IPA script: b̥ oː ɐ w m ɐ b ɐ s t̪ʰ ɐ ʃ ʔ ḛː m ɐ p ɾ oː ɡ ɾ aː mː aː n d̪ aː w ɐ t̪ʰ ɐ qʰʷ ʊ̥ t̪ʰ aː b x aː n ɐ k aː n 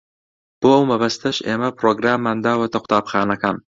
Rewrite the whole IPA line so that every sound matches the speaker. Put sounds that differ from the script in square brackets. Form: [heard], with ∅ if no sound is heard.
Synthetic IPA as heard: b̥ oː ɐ w m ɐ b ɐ s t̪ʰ ɐ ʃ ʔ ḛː m ɐ p ɾ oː ɡ ɾ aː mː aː n d̪ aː w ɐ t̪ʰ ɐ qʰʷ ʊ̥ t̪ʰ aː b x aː n ɐ k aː n